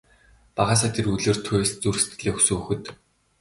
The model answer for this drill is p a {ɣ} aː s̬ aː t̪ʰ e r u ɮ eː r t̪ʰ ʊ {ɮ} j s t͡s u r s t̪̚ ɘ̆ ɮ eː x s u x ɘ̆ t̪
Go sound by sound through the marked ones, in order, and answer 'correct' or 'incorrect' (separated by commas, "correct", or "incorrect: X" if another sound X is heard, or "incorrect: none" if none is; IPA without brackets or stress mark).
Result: incorrect: ʁ, incorrect: none